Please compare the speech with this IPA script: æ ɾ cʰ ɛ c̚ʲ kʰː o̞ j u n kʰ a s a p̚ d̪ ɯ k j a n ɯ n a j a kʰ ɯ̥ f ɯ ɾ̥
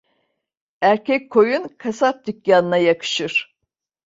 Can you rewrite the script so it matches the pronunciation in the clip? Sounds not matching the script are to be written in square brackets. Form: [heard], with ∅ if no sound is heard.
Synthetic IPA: æ ɾ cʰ ɛ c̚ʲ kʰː o̞ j u n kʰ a s a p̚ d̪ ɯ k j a n ɯ n a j a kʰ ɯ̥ [ʃ] ɯ ɾ̥

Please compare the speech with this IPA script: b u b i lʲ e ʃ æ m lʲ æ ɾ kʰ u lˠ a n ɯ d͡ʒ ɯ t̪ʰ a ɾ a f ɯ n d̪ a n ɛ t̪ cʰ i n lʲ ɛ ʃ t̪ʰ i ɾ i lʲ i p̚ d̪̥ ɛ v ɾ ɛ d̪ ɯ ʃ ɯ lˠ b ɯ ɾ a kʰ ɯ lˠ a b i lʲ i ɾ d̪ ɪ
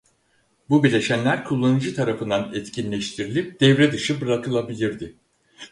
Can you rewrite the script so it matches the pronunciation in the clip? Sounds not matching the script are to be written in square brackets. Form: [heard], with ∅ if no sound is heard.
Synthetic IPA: b u b i lʲ e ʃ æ [n] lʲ æ ɾ kʰ u [lˠː] a n ɯ d͡ʒ ɯ t̪ʰ a ɾ a f ɯ n d̪ a n ɛ t̪ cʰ i n lʲ ɛ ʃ t̪ʰ i ɾ i lʲ i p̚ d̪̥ ɛ v ɾ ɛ d̪ ɯ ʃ ɯ [∅] b ɯ ɾ a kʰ ɯ lˠ a b i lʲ i ɾ d̪ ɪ

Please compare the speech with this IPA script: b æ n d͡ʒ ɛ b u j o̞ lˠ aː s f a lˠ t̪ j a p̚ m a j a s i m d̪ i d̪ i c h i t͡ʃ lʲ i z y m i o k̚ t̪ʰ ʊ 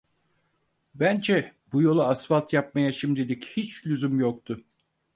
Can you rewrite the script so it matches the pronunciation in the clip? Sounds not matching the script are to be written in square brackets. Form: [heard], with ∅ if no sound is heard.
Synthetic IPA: b æ n d͡ʒ ɛ b u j o̞ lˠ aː s f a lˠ t̪ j a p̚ m a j a [ʃ] i m d̪ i d̪ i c h i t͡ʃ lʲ [y] z y m [j] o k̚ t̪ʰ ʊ

